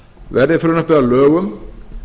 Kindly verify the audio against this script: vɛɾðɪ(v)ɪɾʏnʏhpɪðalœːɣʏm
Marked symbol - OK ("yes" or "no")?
no